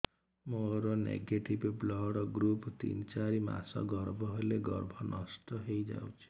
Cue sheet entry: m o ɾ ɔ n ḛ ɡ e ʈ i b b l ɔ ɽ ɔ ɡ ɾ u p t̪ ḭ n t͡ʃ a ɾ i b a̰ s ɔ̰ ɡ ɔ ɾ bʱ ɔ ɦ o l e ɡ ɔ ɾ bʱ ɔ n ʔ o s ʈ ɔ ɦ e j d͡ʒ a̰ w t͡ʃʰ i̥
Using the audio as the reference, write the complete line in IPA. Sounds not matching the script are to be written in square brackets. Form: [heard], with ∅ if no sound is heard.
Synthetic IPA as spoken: m o ɾ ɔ n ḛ ɡ e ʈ i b b l ɔ ɽ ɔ ɡ ɾ u p t̪ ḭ n t͡ʃ a ɾ i [m] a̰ s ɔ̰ ɡ ɔ ɾ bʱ ɔ ɦ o l e ɡ ɔ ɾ bʱ ɔ n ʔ [ɔ] s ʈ ɔ ɦ e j d͡ʒ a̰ w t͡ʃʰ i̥

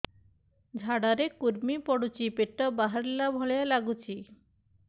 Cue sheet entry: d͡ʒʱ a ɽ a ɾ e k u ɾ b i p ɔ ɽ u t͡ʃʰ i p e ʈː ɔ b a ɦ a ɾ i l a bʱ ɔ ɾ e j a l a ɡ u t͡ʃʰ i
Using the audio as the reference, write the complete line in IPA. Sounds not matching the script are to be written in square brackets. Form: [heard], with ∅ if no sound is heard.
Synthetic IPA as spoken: d͡ʒʱ a ɽ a ɾ e k u ɾ [m] i p ɔ ɽ u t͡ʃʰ i p e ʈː ɔ b a ɦ a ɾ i l a bʱ ɔ [ɭ] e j a l a ɡ u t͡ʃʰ i

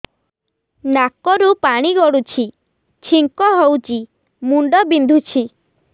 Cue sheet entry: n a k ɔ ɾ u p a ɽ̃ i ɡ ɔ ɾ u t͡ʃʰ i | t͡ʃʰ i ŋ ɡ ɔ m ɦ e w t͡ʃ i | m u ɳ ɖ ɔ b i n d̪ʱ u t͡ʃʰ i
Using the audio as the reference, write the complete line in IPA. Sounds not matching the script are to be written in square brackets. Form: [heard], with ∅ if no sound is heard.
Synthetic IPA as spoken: n a k ɔ ɾ u p a ɽ̃ i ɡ ɔ [ɽ] u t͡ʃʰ i | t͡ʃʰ i ŋ [k] ɔ [∅] ɦ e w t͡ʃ i | m u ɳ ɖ ɔ b i n d̪ʱ u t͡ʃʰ i

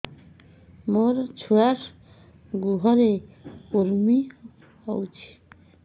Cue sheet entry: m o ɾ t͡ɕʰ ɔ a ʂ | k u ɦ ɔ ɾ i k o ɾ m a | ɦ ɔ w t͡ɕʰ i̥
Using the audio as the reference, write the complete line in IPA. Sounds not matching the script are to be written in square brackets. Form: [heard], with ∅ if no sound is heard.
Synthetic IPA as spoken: m o ɾ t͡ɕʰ [u] a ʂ | [ɡ] u ɦ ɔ ɾ [e] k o ɾ m [i] | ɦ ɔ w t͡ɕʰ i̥

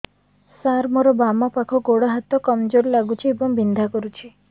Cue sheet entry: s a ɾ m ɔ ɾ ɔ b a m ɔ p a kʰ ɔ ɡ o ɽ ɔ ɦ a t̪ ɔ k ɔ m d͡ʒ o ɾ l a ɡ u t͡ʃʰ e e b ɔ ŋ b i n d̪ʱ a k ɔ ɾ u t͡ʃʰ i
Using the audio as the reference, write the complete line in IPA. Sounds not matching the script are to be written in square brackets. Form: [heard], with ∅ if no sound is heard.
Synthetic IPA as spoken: s a ɾ m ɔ ɾ ɔ b a m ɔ p a kʰ ɔ ɡ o ɽ ɔ ɦ a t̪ ɔ k ɔ m d͡ʒ o ɾ l a ɡ u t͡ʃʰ [i] e b ɔ ŋ b i n d̪ʱ a k ɔ ɾ u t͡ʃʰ i

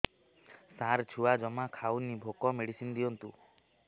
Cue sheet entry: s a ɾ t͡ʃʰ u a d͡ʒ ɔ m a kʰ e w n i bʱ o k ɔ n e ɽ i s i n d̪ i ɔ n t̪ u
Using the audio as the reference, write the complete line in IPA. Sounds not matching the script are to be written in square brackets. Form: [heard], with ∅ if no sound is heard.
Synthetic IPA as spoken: s a ɾ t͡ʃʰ u a d͡ʒ ɔ m a kʰ [a] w n i bʱ o k ɔ [m] e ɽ i s i n d̪ i ɔ n t̪ u

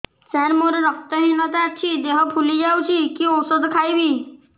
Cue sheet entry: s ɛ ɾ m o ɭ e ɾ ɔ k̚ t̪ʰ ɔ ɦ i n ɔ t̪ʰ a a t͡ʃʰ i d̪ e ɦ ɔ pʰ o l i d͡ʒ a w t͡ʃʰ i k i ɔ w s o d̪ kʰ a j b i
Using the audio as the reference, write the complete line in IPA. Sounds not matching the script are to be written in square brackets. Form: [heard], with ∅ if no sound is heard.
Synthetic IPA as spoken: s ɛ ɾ m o [ɾ] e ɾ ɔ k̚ [t̪] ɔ ɦ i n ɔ [t̪] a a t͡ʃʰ i d̪ e ɦ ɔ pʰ [u] l i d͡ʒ a w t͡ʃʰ i k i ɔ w s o d̪ kʰ a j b i

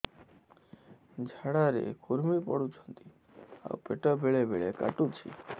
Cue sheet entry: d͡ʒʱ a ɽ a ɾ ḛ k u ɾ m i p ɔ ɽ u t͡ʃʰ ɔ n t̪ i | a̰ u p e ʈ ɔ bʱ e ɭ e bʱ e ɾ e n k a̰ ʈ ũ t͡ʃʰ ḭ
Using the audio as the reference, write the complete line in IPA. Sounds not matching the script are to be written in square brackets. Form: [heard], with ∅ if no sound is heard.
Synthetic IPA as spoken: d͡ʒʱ a ɽ a ɾ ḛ k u ɾ m i p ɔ ɽ u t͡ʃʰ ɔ n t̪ i | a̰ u p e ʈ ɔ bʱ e ɭ e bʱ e [ɭ] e [∅] k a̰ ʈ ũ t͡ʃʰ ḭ

